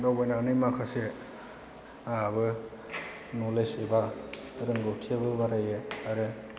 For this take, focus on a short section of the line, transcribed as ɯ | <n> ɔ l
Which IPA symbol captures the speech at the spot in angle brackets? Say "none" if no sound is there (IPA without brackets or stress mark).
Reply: n